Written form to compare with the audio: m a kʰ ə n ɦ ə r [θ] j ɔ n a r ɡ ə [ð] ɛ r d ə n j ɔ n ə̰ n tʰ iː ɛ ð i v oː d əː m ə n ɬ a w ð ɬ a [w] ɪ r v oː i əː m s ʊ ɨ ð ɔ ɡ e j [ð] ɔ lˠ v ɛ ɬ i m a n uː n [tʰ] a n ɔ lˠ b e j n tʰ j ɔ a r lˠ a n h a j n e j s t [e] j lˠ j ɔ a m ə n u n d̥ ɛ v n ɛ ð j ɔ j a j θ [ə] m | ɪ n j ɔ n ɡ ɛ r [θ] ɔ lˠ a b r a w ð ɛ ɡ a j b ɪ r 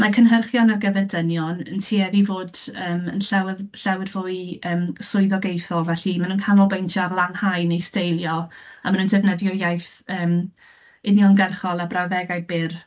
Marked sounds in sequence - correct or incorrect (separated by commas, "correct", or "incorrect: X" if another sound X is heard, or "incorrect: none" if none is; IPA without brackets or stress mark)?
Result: incorrect: χ, incorrect: v, correct, incorrect: θ, incorrect: kʰ, correct, incorrect: əː, incorrect: χ